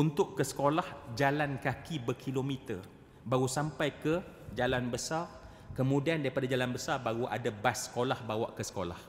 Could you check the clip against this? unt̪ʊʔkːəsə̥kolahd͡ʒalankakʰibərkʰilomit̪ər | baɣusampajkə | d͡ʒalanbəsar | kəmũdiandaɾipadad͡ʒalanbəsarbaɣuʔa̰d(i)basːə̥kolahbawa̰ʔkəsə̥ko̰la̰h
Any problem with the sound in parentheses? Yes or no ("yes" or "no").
yes